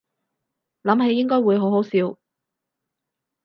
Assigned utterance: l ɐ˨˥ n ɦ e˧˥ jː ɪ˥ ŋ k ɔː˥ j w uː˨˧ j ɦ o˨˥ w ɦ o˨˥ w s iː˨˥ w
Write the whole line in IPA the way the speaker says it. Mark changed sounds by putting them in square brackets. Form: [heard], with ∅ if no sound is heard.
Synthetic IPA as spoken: l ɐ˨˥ [m] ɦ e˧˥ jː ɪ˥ ŋ k ɔː˥ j w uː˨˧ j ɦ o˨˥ w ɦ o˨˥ w s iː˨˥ w